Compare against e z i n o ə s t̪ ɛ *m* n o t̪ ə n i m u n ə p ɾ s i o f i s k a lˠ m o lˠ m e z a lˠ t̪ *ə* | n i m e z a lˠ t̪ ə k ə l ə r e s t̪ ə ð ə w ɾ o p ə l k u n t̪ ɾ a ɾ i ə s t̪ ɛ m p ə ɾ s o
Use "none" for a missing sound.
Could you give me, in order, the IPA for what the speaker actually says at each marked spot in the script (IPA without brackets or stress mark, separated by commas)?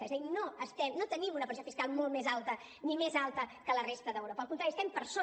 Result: m, ə